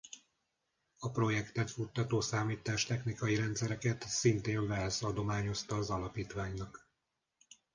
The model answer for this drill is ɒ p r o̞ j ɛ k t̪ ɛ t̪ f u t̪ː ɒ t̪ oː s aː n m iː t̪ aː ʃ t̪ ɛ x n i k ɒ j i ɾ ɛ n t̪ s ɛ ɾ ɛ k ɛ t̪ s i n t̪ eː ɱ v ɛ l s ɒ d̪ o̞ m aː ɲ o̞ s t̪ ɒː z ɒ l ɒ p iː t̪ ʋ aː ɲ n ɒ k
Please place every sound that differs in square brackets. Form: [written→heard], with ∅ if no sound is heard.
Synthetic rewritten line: ɒ p r o̞ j ɛ k t̪ ɛ t̪ f u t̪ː ɒ t̪ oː s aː [n→∅] m iː t̪ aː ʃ t̪ ɛ x n i k ɒ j i ɾ ɛ n t̪ s ɛ ɾ ɛ k ɛ t̪ s i n t̪ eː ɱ v ɛ l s ɒ d̪ o̞ m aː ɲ o̞ s t̪ ɒː z ɒ l ɒ p iː t̪ ʋ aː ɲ n ɒ k